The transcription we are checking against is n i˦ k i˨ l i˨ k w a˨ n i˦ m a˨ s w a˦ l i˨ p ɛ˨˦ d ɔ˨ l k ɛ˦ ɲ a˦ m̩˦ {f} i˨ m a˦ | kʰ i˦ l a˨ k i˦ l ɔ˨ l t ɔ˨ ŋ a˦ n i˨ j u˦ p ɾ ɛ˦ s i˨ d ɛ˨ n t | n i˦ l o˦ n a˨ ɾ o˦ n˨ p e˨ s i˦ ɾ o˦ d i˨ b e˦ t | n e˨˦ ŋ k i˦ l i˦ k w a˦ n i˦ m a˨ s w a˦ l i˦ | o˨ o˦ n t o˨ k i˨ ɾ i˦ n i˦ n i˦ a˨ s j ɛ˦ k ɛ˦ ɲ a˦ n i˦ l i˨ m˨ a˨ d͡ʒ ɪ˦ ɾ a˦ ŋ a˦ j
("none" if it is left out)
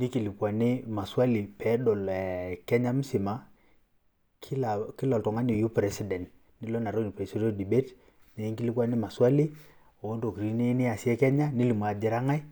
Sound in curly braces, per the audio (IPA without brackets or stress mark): s